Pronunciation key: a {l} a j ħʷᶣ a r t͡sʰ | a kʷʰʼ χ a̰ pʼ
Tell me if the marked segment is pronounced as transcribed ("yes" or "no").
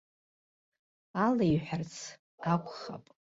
yes